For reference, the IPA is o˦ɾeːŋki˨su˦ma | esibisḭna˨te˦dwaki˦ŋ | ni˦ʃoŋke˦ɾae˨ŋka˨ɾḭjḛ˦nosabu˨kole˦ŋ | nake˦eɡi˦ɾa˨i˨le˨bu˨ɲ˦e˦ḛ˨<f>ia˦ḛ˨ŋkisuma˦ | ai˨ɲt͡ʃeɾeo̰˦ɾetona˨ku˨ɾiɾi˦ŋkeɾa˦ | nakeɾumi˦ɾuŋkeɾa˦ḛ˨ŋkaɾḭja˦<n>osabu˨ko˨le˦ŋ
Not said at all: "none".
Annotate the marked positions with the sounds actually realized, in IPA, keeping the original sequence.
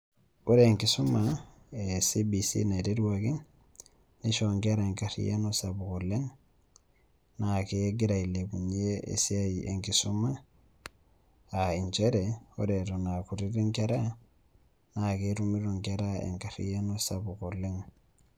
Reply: s, n

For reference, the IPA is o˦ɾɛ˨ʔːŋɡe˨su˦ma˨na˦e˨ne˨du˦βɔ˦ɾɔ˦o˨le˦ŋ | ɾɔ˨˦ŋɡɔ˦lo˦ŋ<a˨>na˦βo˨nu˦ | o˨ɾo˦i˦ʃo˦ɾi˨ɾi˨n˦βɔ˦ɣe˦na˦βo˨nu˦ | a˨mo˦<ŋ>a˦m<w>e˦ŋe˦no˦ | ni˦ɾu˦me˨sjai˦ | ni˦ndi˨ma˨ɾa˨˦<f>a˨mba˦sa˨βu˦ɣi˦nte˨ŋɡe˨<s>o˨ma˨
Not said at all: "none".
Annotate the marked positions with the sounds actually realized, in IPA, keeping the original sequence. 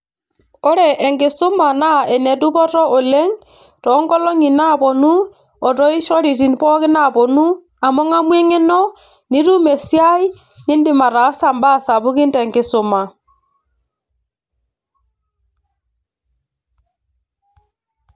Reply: i˨, ŋ, w, s, s

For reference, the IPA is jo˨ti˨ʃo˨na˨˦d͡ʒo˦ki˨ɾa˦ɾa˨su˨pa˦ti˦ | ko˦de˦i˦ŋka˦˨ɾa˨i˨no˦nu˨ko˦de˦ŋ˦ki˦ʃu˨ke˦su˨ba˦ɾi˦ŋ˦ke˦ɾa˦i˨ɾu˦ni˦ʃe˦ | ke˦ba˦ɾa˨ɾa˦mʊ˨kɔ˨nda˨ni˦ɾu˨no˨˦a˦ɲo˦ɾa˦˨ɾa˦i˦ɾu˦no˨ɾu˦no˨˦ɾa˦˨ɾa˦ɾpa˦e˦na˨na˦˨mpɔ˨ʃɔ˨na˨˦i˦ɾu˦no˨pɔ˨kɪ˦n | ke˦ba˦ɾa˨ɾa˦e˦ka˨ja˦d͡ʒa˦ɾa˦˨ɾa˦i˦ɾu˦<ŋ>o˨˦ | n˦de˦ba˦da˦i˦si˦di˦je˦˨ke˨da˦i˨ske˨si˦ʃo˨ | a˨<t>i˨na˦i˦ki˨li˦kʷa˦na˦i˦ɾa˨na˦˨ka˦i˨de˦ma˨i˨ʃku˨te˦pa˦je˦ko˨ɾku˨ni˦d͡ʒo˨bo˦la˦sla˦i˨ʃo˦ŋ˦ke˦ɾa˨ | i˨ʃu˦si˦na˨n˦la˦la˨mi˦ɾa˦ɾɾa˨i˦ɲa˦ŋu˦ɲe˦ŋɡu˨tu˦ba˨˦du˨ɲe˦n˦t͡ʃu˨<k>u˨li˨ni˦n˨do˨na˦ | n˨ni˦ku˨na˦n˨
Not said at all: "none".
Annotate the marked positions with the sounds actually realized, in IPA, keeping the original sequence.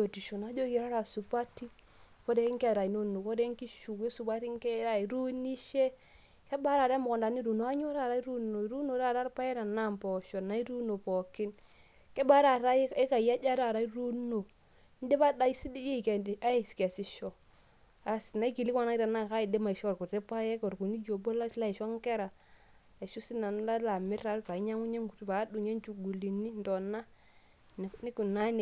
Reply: n, s, ɡ

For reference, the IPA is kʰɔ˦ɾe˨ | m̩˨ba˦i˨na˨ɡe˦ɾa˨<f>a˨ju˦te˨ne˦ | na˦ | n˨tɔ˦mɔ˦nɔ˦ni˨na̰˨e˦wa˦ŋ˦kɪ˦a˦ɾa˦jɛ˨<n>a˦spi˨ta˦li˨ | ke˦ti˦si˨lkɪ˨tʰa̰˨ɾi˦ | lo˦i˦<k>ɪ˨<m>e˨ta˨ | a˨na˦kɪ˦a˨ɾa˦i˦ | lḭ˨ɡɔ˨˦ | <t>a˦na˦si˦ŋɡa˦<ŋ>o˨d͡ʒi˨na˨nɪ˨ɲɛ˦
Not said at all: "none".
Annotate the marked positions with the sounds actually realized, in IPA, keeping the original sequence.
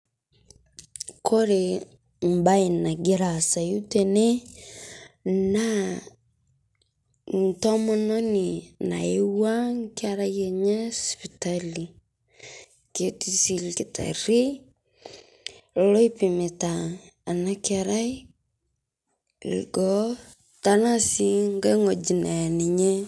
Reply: s, ɲ, p, m, t, ŋ

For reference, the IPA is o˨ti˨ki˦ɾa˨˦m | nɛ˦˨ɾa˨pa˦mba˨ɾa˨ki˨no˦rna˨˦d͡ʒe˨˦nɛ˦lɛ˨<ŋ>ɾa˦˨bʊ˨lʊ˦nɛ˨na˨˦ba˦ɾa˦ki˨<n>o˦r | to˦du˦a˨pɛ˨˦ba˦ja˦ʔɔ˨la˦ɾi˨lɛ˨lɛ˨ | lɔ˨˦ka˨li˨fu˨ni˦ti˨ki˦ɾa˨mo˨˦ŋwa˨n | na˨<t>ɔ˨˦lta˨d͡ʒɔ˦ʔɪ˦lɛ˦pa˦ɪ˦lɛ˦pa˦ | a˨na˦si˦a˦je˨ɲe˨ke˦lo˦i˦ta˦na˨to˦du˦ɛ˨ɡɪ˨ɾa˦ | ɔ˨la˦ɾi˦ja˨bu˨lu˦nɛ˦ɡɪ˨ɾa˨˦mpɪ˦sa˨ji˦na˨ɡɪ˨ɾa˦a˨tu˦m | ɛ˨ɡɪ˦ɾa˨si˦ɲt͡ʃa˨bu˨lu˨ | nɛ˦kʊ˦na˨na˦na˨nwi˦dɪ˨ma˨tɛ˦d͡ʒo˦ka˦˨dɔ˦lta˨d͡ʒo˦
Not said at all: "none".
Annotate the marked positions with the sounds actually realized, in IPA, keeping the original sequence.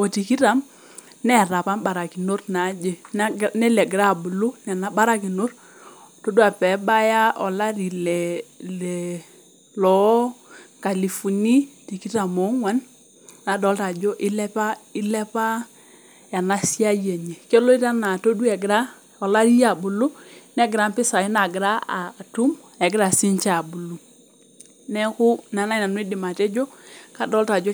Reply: ɡ, n, d

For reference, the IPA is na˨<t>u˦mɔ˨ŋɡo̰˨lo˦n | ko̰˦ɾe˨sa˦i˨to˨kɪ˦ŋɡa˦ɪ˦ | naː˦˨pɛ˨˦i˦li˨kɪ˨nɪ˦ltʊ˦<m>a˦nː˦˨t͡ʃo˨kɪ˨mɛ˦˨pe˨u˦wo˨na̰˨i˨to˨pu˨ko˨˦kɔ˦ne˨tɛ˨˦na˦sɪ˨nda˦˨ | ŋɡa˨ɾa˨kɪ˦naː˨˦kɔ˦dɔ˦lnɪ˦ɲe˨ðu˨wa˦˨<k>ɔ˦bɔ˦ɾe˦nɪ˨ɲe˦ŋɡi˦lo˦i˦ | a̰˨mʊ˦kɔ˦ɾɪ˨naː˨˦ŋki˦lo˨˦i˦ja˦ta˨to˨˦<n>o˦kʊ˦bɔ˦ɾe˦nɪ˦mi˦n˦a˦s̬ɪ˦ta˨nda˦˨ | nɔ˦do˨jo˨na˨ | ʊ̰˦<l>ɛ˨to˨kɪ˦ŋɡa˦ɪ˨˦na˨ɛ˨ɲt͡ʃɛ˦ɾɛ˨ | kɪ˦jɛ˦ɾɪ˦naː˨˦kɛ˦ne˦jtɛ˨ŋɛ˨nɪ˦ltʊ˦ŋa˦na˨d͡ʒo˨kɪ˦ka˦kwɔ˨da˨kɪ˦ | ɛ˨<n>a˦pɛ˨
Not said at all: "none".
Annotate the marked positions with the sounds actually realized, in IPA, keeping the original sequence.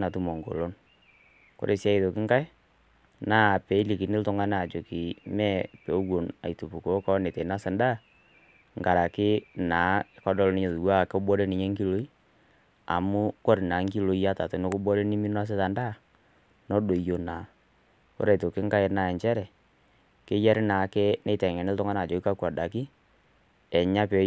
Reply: t, ŋ, k, n, ɾ, ɲ

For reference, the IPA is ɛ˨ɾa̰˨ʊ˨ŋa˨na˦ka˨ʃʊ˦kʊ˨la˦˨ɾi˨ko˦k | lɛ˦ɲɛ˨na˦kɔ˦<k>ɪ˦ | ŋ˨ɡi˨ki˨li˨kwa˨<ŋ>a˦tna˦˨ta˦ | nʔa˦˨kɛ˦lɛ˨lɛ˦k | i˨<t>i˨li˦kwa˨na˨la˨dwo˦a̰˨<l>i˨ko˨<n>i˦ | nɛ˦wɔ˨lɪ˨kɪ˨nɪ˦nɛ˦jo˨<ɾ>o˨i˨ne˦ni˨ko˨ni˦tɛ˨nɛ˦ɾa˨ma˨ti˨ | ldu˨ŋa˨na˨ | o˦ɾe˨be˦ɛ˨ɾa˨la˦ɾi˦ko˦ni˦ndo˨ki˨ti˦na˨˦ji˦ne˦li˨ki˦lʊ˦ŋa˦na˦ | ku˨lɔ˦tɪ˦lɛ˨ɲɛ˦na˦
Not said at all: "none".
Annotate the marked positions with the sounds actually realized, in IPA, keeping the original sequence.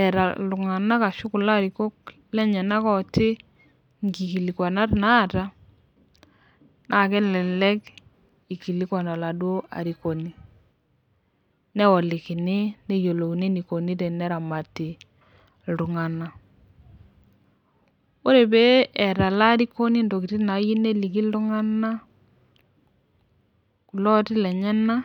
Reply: t, n, k, ɾ, n, l

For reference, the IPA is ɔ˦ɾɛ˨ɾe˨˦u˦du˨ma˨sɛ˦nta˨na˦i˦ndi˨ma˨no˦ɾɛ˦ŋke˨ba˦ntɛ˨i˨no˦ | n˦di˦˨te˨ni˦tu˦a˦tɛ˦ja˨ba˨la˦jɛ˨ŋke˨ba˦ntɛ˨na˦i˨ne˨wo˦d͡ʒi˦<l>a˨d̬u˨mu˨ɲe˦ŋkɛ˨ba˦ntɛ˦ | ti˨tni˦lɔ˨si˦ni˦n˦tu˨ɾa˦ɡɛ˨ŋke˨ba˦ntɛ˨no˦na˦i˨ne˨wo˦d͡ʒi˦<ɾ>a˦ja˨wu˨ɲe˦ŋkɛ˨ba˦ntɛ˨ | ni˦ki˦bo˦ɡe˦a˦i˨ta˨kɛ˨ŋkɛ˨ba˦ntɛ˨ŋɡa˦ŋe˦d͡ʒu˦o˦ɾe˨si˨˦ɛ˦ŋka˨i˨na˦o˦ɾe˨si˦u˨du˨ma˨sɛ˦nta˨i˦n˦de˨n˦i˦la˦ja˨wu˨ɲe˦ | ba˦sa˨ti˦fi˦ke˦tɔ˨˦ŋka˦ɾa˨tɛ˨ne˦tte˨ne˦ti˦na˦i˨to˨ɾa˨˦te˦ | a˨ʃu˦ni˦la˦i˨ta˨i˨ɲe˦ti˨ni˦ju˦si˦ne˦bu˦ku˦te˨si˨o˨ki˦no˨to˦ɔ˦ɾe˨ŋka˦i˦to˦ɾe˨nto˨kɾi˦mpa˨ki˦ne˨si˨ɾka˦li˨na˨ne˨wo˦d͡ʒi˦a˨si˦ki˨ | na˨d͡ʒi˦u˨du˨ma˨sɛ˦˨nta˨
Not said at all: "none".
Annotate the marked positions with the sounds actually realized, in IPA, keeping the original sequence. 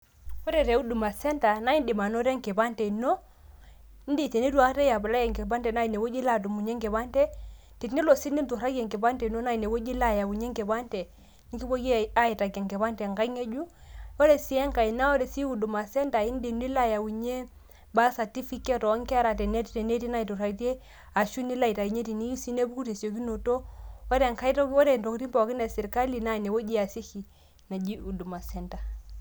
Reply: l, l

